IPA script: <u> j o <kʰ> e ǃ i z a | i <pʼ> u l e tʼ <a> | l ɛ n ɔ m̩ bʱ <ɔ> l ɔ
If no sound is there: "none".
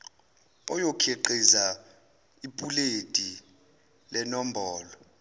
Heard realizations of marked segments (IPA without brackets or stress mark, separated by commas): ɔ, kʰ, pʼ, i, ɔː